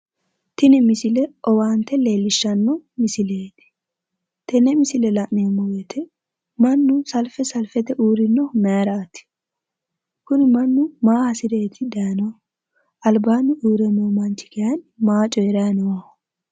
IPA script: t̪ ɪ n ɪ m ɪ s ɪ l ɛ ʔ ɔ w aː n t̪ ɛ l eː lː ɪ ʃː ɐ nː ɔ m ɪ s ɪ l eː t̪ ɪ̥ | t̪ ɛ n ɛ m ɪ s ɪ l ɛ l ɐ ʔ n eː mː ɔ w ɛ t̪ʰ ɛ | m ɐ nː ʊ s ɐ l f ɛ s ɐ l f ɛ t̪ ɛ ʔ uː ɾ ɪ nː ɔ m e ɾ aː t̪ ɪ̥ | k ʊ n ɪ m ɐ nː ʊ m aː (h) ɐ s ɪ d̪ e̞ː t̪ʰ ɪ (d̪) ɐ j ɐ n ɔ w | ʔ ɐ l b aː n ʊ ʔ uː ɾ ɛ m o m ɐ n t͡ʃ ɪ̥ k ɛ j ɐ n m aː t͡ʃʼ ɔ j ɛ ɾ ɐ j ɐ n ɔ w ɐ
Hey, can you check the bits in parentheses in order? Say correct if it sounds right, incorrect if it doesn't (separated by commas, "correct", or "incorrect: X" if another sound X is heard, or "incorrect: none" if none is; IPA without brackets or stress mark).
correct, correct